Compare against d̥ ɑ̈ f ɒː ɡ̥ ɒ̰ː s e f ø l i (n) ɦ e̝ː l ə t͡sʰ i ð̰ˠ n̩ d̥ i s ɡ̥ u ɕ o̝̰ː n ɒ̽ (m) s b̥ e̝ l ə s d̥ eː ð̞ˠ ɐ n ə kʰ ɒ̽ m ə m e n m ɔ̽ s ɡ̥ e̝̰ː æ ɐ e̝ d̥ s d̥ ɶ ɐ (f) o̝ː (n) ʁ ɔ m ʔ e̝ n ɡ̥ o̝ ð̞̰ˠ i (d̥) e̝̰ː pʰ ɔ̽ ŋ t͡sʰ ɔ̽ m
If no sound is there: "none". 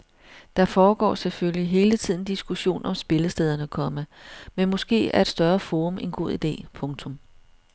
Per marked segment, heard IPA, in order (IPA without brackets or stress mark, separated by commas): none, m, f, none, d̥